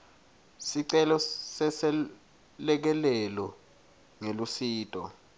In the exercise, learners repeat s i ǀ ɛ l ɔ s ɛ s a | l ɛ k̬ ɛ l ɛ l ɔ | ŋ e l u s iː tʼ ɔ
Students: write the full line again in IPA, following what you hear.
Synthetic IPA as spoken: s i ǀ ɛ l ɔ s ɛ s ɛ | l ɛ k̬ ɛ l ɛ l ɔ | ŋ e l u s iː tʼ ɔ